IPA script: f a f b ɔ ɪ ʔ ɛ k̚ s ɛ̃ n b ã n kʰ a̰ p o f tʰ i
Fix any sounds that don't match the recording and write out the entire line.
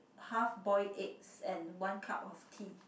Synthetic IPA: h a f b ɔ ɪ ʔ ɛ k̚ s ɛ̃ n w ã n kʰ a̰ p ɔ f tʰ i